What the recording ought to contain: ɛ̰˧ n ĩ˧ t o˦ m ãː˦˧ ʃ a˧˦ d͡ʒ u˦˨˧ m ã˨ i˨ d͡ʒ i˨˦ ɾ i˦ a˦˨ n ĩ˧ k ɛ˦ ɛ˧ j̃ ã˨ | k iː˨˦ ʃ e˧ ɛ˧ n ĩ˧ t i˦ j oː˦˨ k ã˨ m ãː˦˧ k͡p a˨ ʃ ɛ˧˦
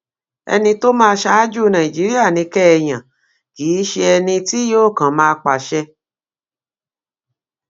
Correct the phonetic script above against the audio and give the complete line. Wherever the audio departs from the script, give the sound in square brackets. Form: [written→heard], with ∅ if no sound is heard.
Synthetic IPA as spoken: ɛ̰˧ n ĩ˧ t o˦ m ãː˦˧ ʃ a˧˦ d͡ʒ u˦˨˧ [m→n] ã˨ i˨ d͡ʒ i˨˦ ɾ i˦ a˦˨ n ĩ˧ k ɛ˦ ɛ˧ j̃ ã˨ | k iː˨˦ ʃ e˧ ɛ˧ n ĩ˧ t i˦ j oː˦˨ k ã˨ m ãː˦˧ k͡p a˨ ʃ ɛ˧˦